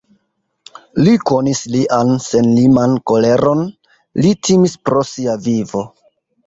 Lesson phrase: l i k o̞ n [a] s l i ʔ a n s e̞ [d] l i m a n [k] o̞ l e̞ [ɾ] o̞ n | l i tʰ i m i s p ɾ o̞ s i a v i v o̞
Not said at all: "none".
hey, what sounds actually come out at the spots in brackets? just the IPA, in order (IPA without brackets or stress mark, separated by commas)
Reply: i, n, k, ɾ